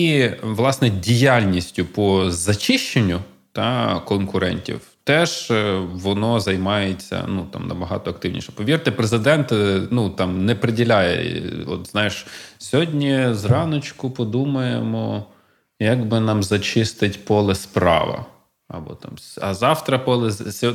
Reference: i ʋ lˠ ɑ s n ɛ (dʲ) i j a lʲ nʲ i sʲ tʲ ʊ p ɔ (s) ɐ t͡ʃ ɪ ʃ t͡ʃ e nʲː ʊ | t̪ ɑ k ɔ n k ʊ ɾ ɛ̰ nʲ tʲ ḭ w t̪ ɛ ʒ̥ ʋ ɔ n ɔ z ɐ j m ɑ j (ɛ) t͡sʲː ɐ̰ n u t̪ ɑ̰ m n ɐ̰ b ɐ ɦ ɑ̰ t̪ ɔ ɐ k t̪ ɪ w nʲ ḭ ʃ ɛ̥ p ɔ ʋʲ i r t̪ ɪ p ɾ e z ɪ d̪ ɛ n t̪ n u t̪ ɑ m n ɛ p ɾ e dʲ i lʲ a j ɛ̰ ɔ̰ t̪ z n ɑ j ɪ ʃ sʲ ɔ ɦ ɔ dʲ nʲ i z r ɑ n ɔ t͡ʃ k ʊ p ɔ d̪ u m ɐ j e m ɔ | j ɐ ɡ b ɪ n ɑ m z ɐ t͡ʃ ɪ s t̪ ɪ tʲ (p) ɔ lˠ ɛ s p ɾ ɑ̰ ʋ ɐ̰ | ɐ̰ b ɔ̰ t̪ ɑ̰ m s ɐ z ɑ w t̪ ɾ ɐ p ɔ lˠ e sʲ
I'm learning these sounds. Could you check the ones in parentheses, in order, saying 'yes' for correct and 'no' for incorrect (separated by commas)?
yes, no, no, yes